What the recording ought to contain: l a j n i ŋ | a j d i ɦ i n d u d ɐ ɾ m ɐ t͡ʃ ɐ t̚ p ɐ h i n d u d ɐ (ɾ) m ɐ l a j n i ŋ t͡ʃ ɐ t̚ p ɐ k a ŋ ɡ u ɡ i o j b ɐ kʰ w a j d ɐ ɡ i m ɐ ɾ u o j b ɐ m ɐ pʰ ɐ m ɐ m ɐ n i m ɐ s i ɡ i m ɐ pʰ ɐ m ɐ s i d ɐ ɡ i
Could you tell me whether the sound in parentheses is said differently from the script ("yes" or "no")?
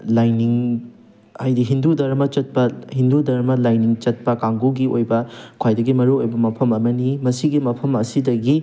no